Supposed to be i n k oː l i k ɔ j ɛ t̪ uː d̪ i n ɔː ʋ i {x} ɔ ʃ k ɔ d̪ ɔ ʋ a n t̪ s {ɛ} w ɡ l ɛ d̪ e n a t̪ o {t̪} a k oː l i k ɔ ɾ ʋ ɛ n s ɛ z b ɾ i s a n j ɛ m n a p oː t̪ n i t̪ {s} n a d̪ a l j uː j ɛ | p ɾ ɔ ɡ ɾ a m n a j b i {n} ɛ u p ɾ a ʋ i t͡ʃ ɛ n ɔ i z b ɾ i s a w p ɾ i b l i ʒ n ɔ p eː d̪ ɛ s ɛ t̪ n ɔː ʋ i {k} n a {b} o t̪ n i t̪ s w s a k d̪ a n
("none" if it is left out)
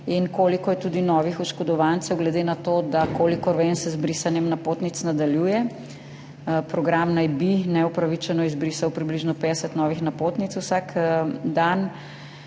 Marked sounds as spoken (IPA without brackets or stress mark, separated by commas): x, ɛ, d̪, s, n, x, p